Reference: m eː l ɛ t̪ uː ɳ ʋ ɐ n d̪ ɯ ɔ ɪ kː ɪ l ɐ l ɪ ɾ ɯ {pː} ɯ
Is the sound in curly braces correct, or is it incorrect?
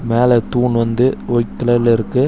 incorrect